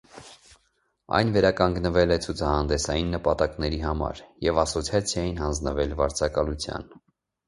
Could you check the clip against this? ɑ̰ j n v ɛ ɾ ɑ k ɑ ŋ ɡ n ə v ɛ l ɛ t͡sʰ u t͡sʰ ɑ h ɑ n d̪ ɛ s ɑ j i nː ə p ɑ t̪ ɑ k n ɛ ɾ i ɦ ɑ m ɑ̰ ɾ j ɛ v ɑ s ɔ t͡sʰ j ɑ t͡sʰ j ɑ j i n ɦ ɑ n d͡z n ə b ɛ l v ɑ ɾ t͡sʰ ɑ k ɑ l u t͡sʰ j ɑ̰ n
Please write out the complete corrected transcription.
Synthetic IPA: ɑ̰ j n v ɛ ɾ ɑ k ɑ ŋ ɡ n ə v ɛ l ɛ t͡sʰ u t͡sʰ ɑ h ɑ n d̪ ɛ s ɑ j i nː ə p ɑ t̪ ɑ k n ɛ ɾ i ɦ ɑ m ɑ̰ ɾ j ɛ v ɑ s ɔ t͡sʰ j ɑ t͡sʰ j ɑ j i n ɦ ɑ n d͡z n ə v ɛ l v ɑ ɾ t͡sʰ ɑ k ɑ l u t͡sʰ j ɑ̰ n